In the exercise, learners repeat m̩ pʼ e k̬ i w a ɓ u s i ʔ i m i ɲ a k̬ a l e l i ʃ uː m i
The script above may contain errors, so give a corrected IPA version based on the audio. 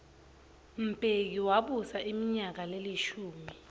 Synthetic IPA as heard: m̩ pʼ e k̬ i w a ɓ u s a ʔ i m i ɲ a k̬ a l e l i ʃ uː m i